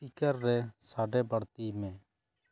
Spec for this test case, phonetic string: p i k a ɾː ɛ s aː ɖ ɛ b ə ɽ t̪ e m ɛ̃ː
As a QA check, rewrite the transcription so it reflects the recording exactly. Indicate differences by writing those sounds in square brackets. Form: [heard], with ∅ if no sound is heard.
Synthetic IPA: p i k [ə] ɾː ɛ s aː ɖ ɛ b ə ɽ t̪ [i] m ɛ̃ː